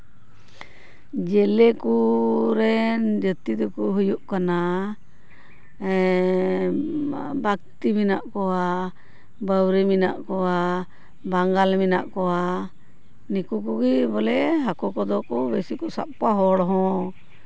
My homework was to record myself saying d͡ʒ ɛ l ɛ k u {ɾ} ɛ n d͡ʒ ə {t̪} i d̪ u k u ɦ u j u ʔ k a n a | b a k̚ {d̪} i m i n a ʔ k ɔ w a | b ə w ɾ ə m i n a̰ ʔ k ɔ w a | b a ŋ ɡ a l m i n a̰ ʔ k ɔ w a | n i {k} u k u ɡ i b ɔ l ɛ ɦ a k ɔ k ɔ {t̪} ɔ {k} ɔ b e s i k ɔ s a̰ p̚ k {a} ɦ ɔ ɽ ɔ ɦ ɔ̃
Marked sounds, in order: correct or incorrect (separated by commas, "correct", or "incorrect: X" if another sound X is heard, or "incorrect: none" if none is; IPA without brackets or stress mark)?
correct, correct, incorrect: t̪, correct, incorrect: d̪, correct, correct